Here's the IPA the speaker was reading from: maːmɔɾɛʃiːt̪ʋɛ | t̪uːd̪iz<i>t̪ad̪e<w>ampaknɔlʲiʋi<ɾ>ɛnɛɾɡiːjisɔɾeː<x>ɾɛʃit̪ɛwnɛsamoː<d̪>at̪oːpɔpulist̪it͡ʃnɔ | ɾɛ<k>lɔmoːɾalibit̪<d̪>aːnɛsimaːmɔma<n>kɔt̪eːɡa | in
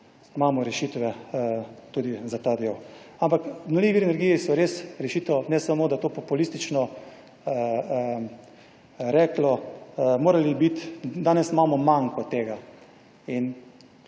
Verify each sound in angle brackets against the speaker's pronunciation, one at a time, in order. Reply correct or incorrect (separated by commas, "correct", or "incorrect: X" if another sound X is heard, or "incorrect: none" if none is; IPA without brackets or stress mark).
incorrect: a, correct, correct, incorrect: s, correct, correct, correct, incorrect: ŋ